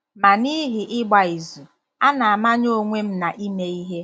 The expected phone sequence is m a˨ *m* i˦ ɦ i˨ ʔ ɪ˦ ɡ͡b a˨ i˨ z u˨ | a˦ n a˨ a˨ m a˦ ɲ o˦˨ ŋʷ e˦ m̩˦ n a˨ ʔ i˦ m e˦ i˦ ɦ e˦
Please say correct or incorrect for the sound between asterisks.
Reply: incorrect